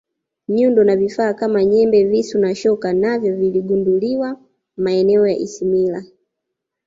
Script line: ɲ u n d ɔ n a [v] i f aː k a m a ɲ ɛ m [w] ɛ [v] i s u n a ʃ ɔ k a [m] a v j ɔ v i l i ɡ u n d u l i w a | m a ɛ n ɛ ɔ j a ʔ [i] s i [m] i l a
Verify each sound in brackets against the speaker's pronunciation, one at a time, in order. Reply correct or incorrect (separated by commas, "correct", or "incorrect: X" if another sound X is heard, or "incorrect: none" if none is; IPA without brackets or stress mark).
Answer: correct, incorrect: b, correct, incorrect: n, correct, correct